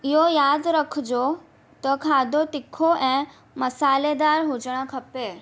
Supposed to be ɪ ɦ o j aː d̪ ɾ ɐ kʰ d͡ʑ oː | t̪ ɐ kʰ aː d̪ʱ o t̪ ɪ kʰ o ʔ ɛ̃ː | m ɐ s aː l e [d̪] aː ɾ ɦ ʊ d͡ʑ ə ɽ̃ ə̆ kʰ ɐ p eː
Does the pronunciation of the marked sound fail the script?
no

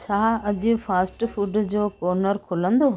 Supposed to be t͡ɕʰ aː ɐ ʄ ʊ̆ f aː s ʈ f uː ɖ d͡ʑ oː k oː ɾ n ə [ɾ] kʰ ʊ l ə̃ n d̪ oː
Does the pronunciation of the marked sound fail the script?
no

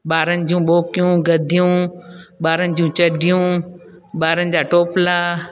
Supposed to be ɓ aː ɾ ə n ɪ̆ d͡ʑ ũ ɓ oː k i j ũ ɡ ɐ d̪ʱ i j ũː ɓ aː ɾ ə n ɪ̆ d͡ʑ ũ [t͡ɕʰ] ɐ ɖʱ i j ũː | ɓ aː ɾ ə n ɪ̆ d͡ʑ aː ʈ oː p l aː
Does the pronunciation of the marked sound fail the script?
yes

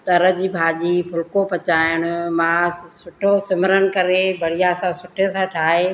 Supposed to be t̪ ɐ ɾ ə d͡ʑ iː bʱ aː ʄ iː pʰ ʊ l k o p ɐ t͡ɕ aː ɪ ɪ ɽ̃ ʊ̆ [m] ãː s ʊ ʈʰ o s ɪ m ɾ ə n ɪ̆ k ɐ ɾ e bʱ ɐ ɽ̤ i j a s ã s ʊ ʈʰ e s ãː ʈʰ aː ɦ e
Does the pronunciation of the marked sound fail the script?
no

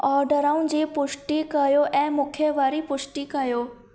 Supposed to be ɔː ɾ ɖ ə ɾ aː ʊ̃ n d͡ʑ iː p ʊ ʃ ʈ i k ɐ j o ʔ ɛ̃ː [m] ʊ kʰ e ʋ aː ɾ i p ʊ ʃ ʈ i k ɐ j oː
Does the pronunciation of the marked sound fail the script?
no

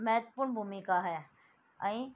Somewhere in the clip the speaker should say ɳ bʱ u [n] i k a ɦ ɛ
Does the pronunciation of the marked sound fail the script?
yes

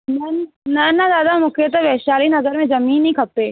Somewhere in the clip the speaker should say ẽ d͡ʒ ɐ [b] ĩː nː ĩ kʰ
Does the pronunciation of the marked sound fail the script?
yes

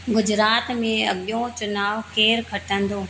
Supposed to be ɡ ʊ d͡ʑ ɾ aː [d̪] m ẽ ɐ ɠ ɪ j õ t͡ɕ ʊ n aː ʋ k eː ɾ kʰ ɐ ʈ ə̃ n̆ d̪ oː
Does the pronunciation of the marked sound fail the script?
yes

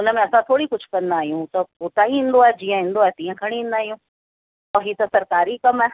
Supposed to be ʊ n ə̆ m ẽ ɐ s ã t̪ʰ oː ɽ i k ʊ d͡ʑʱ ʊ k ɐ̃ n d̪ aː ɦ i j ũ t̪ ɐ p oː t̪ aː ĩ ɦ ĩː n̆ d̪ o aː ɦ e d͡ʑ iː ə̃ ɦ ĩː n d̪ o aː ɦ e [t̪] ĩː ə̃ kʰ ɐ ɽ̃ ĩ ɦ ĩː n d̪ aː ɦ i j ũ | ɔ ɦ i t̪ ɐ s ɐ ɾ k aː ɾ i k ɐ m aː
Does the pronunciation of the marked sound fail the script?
no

